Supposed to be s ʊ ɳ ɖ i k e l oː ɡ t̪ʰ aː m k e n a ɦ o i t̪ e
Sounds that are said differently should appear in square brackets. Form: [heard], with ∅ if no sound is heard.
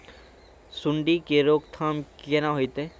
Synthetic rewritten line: s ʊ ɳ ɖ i k e [ɾ] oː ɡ t̪ʰ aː m k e n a ɦ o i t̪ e